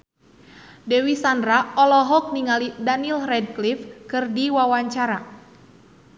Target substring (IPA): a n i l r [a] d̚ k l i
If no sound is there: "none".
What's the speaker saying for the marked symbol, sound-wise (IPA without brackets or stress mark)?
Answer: ɛ